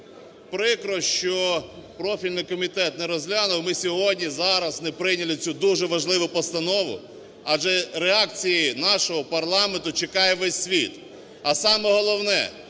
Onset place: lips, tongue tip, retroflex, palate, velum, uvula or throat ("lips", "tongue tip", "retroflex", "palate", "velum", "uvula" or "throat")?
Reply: lips